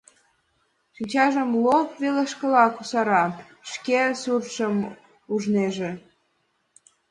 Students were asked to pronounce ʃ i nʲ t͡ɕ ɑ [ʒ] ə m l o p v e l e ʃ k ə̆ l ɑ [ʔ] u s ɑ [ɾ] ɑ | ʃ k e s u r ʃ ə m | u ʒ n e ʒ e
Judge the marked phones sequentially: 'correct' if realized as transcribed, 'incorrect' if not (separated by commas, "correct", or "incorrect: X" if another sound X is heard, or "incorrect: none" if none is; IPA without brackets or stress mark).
correct, incorrect: k, correct